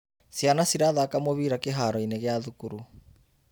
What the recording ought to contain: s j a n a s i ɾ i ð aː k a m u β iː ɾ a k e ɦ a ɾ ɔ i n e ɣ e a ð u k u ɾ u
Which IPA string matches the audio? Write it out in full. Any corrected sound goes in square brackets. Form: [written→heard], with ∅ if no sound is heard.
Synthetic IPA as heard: s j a n a s i ɾ [i→a] ð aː k a m [u→o] β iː ɾ a k e ɦ a ɾ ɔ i n e ɣ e a ð u k u ɾ u